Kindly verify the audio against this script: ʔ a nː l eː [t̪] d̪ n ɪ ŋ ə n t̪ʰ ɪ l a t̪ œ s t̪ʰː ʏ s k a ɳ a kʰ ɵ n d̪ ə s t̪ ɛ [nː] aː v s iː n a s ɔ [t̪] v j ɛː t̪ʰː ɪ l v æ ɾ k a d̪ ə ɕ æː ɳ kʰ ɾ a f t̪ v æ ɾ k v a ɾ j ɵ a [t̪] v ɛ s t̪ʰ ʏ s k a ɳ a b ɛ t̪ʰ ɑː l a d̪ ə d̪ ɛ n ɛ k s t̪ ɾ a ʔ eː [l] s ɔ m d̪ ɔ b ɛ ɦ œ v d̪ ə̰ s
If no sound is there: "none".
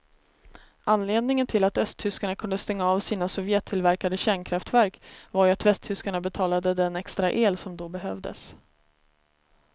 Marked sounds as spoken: none, ŋː, none, t̪, l

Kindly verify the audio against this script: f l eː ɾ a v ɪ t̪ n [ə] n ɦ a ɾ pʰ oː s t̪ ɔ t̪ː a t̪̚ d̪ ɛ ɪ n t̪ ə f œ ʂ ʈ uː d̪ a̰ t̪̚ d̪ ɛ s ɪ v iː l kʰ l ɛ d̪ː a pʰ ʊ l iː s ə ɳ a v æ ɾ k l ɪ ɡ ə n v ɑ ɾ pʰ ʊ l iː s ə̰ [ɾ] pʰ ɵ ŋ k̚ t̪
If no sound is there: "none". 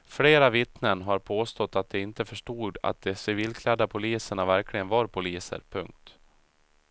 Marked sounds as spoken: ə, ɾ

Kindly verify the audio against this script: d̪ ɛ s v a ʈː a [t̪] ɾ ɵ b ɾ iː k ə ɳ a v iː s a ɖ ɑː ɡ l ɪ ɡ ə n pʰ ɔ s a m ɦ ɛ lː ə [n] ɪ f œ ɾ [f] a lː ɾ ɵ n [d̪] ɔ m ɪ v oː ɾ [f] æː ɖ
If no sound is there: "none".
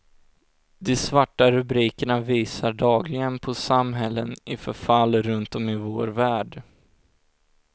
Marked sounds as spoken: none, n, f, t̪, v

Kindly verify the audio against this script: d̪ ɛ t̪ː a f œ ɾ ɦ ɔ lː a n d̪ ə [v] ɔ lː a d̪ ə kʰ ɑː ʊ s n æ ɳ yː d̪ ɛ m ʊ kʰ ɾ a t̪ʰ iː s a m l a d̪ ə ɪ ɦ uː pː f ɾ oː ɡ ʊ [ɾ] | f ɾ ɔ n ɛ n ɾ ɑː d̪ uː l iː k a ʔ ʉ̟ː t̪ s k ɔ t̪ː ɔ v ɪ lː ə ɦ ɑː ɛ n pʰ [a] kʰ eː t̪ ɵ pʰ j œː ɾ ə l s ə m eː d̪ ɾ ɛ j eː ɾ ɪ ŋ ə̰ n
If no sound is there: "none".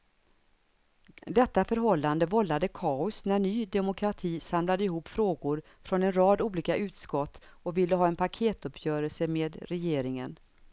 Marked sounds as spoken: v, ɾ, a

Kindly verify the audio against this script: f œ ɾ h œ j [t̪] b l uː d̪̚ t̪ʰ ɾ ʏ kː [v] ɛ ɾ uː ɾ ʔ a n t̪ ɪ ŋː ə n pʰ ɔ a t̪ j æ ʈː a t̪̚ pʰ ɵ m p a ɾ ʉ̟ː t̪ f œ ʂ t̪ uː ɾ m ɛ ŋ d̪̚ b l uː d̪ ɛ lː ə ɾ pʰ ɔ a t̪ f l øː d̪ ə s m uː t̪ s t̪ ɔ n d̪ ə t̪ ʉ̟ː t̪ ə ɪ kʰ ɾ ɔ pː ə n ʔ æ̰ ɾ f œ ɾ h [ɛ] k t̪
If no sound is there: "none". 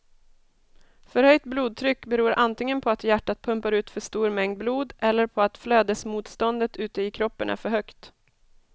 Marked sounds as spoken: t̪, b, œ

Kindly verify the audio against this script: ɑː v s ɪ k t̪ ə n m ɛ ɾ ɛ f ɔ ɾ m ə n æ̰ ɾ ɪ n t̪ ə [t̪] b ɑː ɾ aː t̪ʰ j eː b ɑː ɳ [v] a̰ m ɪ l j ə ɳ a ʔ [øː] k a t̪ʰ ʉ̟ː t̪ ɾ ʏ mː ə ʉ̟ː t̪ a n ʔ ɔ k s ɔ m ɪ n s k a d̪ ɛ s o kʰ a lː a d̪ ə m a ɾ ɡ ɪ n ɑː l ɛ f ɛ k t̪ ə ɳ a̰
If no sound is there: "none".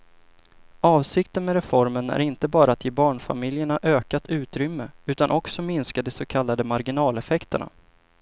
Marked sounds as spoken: none, f, øː

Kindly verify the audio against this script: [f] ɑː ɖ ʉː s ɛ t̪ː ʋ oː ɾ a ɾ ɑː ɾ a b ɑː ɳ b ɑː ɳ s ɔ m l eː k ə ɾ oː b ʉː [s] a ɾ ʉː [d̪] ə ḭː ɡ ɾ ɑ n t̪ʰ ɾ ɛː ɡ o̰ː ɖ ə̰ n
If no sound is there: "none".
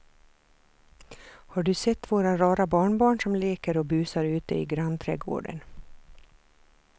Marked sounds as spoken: h, s, t̪

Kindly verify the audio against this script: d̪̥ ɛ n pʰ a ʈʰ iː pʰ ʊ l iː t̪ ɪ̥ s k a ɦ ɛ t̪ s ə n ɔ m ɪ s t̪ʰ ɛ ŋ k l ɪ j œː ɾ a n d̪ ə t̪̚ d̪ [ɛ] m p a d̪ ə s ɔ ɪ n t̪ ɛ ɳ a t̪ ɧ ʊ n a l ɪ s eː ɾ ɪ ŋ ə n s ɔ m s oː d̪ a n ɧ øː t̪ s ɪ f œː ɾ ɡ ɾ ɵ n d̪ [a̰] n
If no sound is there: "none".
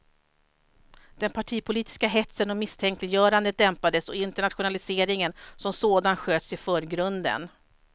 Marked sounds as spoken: ɛ, ə̰

